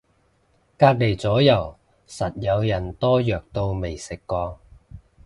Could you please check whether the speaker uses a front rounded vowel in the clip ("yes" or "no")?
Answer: yes